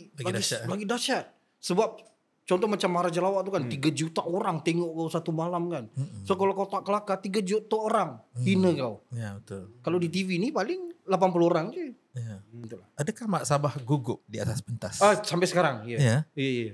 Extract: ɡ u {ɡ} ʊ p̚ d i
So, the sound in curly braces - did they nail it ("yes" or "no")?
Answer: yes